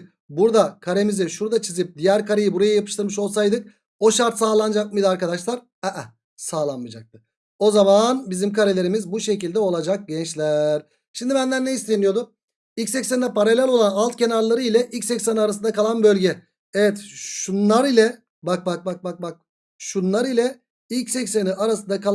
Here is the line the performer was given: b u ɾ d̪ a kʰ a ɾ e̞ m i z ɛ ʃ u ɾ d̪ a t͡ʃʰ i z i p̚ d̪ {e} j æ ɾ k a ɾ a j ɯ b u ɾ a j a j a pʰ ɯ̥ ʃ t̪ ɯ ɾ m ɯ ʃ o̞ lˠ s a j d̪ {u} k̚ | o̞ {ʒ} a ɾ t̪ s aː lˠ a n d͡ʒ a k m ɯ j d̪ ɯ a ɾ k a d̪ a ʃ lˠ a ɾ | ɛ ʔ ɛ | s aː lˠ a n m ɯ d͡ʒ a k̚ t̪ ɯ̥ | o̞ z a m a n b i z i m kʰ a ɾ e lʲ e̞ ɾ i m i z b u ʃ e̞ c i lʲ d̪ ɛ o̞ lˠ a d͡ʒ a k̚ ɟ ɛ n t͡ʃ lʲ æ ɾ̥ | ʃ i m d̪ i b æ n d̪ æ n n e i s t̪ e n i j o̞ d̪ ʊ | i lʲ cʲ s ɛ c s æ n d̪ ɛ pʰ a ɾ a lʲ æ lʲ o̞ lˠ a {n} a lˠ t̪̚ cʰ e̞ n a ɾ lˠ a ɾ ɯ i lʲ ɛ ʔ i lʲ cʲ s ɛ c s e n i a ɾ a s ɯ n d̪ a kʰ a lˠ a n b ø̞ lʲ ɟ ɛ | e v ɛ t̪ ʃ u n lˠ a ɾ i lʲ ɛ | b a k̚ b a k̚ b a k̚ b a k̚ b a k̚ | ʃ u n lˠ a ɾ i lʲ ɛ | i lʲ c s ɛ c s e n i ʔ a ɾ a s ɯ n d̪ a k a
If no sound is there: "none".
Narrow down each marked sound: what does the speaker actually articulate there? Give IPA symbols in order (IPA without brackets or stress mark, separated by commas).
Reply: i, ɯ, ʃ, n